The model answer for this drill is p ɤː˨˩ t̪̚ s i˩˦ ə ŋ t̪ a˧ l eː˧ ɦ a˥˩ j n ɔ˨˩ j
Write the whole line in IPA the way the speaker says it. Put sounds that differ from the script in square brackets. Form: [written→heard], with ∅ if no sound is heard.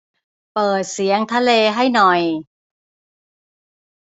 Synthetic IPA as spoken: p ɤː˨˩ t̪̚ s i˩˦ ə ŋ [t̪→t̪ʰ] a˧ l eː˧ ɦ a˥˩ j n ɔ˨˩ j